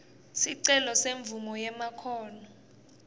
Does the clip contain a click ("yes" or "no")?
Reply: yes